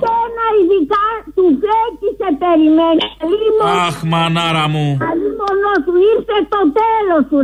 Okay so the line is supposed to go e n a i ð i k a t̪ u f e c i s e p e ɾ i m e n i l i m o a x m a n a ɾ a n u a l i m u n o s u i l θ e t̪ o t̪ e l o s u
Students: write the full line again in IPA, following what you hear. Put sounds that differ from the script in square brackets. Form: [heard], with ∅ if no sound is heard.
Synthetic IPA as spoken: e n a i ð i k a t̪ u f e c i s e p e ɾ i m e n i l i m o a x m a n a ɾ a [m] u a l i m [o] n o s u i [ɾ] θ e t̪ o t̪ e l o s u